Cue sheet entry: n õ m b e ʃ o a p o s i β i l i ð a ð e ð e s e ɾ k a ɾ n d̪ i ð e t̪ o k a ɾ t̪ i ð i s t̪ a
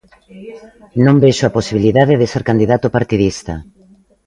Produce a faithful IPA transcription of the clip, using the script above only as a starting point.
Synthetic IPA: n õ m b e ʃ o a p o s i β i l i ð a ð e ð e s e ɾ k a n d̪ i ð a t̪ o p a ɾ t̪ i ð i s t̪ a